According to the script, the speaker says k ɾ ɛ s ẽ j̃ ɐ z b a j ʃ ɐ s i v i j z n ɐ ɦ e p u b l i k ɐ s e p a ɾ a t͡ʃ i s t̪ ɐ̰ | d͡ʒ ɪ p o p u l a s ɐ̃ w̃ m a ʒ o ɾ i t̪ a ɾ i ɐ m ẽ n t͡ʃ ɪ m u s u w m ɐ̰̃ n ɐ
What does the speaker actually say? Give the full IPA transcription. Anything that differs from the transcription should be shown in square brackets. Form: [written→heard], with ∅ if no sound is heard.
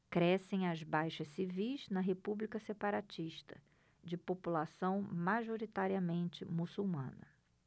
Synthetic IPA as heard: k ɾ ɛ s ẽ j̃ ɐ z b a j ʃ ɐ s i v i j z n ɐ ɦ e p u b l i k ɐ s e p a ɾ a t͡ʃ i [s→ʃ] t̪ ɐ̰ | d͡ʒ ɪ p o p u l a s ɐ̃ w̃ m a ʒ o ɾ i t̪ a ɾ i ɐ m ẽ n t͡ʃ ɪ m u s u w m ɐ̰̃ n ɐ

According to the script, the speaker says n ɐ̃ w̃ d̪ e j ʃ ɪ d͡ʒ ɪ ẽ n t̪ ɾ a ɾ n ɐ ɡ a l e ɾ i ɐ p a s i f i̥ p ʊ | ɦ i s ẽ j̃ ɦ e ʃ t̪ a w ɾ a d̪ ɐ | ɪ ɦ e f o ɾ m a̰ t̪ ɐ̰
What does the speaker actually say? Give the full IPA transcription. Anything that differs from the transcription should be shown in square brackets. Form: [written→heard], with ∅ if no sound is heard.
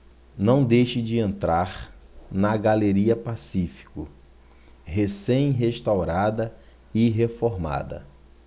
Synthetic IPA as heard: n ɐ̃ w̃ d̪ e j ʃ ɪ d͡ʒ ɪ ẽ n t̪ ɾ a ɾ n ɐ ɡ a l e ɾ i ɐ p a s i f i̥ [p→k] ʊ | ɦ [i→e] s ẽ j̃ ɦ e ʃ t̪ a w ɾ a d̪ ɐ | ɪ ɦ e f o ɾ m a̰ [t̪→d̪] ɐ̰

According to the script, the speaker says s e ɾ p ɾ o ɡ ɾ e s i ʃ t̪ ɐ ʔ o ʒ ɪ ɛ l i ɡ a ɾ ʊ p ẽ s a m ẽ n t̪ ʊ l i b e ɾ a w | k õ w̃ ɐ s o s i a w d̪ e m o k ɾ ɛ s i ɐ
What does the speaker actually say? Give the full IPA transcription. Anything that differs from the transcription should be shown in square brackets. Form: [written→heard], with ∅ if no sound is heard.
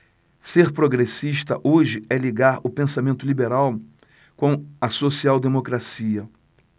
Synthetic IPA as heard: s e ɾ p ɾ o ɡ ɾ e s i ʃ t̪ ɐ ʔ o ʒ ɪ ɛ l i ɡ a ɾ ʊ p ẽ s a m ẽ n t̪ ʊ l i b e ɾ a w | k õ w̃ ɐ s o s i a w d̪ e m o k ɾ [ɛ→a] s i ɐ

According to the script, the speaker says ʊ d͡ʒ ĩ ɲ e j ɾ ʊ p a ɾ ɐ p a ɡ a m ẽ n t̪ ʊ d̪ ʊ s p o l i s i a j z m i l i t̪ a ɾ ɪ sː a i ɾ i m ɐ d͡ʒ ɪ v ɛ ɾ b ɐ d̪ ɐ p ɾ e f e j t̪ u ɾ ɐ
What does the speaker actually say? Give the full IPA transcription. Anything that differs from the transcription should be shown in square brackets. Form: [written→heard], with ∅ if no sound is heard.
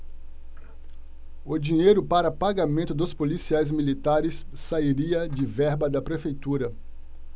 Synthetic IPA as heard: ʊ d͡ʒ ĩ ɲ e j ɾ ʊ p a ɾ ɐ p a ɡ a m ẽ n t̪ ʊ d̪ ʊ s p o l i s i a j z m i l i t̪ a ɾ ɪ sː a i ɾ i [m→∅] ɐ d͡ʒ ɪ v ɛ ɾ b ɐ d̪ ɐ p ɾ e f e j t̪ u ɾ ɐ

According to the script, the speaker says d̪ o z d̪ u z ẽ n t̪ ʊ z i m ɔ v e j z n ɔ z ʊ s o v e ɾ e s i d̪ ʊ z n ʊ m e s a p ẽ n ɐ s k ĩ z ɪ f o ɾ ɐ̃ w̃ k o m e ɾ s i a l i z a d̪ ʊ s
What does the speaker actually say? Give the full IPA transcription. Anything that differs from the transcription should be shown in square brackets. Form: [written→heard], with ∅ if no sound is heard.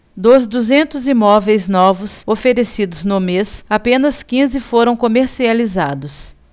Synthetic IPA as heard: d̪ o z d̪ u z ẽ n t̪ ʊ z i m ɔ v e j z n ɔ [z→v] ʊ s o [v→f] e ɾ e s i d̪ ʊ z n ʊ m e s a p ẽ n ɐ s k ĩ z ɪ f o ɾ ɐ̃ w̃ k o m e ɾ s i a l i z a d̪ ʊ s

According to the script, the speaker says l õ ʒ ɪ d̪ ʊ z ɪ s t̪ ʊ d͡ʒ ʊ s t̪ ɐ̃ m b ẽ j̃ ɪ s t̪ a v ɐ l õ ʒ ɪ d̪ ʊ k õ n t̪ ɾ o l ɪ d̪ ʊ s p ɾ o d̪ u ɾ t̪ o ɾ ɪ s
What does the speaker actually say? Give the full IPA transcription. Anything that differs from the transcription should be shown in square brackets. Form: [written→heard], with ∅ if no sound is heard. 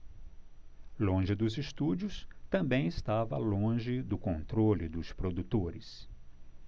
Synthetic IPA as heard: l õ ʒ ɪ d̪ ʊ z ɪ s t̪ [ʊ→u] d͡ʒ ʊ s t̪ ɐ̃ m b ẽ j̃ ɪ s t̪ a v ɐ l õ ʒ ɪ d̪ ʊ k õ n t̪ ɾ o l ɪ d̪ ʊ s p ɾ o d̪ u [ɾ→∅] t̪ o ɾ ɪ s

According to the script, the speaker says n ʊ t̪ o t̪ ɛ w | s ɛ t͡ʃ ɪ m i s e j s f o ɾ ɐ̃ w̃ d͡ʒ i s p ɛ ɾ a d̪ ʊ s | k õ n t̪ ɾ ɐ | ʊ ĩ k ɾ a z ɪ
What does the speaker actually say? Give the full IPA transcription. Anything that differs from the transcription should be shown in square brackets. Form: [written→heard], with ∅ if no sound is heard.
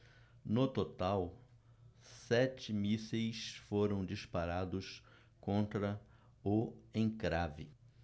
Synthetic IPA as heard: n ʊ t̪ o t̪ [ɛ→a] w | s ɛ t͡ʃ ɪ m i s e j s f o ɾ ɐ̃ w̃ d͡ʒ i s p [ɛ→a] ɾ a d̪ ʊ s | k õ n t̪ ɾ ɐ | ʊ [ĩ→ẽ] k ɾ a [z→v] ɪ

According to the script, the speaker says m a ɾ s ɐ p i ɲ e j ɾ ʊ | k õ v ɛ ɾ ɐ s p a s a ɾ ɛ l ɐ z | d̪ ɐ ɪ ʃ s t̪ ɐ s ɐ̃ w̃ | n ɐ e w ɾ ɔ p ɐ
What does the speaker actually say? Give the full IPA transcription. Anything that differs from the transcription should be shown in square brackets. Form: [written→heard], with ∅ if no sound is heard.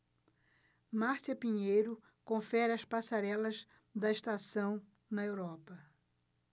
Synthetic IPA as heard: m a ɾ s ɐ p i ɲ e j ɾ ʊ | k õ [v→f] ɛ ɾ ɐ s p a s a ɾ ɛ l ɐ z | d̪ ɐ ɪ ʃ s t̪ [ɐ→a] s ɐ̃ w̃ | n ɐ e w ɾ ɔ p ɐ

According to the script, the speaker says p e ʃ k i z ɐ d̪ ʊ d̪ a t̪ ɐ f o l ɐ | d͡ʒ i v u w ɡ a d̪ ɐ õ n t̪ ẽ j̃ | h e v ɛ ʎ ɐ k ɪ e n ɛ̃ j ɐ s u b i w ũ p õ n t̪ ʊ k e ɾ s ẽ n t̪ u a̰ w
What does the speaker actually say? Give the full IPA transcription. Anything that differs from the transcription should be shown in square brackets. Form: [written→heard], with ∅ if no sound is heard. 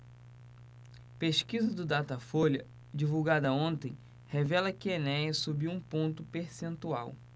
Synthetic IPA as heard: p e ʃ k i z ɐ d̪ ʊ d̪ a t̪ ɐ f o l ɐ | d͡ʒ i v u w ɡ a d̪ ɐ õ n t̪ ẽ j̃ | h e v ɛ [ʎ→l] ɐ k ɪ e n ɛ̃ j ɐ s u b i w ũ p õ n t̪ ʊ [k→p] e ɾ s ẽ n t̪ u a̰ w

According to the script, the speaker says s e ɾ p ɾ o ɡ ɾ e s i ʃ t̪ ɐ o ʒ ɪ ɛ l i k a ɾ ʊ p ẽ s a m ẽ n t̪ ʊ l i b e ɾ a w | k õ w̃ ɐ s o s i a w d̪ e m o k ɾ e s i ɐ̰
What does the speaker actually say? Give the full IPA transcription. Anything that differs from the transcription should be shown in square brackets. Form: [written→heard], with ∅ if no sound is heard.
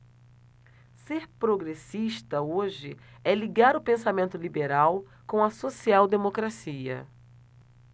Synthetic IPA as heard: s e ɾ p ɾ o ɡ ɾ e s i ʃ t̪ ɐ o ʒ ɪ ɛ l i [k→ɡ] a ɾ ʊ p ẽ s a m ẽ n t̪ ʊ l i b e ɾ a w | k õ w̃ ɐ s o s i a w d̪ e m o k ɾ [e→a] s i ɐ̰

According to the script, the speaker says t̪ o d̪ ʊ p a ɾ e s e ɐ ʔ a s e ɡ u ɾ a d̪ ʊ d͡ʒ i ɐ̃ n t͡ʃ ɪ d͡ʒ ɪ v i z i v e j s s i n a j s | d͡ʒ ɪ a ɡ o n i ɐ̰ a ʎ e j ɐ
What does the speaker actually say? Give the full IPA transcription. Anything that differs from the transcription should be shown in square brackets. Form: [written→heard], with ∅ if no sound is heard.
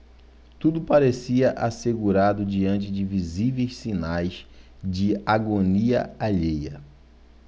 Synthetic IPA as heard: t̪ [o→u] d̪ ʊ p a ɾ e s [e→i] ɐ ʔ a s e ɡ u ɾ a d̪ ʊ d͡ʒ i ɐ̃ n t͡ʃ ɪ d͡ʒ ɪ v i z i v e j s s i n a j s | d͡ʒ ɪ a ɡ o n i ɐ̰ a ʎ e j ɐ

